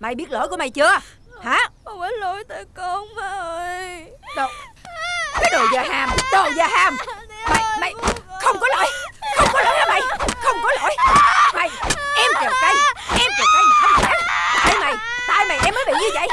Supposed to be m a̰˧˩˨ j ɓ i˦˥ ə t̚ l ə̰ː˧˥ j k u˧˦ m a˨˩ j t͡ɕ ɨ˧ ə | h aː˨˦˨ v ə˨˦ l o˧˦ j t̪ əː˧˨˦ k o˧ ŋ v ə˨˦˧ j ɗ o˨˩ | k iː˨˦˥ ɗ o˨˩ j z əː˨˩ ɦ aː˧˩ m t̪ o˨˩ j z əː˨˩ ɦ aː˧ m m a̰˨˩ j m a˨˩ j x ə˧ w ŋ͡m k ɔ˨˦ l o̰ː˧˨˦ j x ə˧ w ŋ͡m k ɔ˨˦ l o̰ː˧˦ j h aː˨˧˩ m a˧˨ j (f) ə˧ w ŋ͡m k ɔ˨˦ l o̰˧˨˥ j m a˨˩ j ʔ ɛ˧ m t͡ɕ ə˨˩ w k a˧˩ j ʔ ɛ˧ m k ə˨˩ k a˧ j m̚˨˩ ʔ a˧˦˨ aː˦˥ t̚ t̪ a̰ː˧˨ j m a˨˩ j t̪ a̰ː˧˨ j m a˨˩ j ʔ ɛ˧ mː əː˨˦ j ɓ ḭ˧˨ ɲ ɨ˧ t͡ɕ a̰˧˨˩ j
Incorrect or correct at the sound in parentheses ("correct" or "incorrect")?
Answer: incorrect